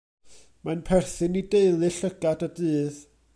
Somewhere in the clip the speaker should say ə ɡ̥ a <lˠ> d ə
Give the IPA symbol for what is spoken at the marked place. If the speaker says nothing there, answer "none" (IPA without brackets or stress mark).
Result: none